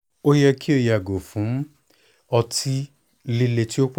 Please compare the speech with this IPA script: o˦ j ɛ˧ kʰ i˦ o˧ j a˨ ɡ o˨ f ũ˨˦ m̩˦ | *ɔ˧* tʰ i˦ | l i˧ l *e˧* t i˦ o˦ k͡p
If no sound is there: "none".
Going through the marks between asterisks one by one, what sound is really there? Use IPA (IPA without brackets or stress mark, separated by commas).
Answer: ɔ˧, e˧